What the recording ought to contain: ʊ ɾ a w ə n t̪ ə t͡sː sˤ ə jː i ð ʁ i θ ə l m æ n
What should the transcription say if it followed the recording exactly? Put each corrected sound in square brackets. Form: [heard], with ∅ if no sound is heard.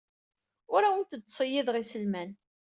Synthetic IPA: ʊ ɾ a w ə n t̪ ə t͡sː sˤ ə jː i ð ʁ i [s] ə l m æ n

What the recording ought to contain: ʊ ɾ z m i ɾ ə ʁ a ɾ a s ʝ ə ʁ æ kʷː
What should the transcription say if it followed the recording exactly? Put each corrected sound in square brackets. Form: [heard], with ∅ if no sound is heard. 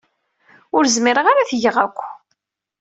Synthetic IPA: ʊ ɾ z m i ɾ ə ʁ a ɾ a [θ] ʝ ə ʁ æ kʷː

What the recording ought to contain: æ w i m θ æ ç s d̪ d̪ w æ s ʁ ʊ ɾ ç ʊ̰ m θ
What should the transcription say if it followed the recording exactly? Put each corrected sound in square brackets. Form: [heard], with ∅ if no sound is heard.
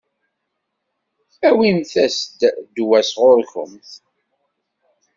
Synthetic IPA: æ w i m θ æ [∅] s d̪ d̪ w æ s ʁ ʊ ɾ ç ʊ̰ m θ

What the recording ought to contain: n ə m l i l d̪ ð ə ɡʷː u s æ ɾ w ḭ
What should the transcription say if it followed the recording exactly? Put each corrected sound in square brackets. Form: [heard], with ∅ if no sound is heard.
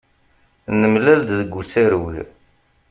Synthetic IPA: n ə m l [æ] l d̪ ð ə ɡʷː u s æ ɾ w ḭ

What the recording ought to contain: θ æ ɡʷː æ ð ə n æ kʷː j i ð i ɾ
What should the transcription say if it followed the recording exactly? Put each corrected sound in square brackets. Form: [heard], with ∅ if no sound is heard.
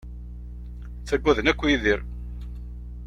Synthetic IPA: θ æ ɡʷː æ ð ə n æ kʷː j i ð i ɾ

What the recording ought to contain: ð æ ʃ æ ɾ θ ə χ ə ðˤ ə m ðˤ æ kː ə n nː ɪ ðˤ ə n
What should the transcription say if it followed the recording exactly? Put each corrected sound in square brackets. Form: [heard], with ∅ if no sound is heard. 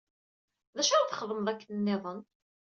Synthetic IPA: ð æ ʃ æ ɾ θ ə χ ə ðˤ ə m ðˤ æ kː ə n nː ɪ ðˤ ə n

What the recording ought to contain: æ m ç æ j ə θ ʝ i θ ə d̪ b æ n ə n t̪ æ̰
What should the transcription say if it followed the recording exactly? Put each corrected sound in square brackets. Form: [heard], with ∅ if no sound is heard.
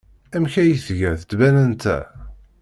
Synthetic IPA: æ m ç æ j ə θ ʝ [æ] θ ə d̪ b æ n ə n t̪ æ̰

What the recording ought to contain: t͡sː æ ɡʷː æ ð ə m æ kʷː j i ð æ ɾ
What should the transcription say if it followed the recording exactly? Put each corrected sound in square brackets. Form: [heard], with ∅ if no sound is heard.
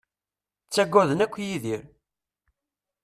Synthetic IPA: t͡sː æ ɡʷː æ ð ə [n] æ kʷː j i ð [i] ɾ

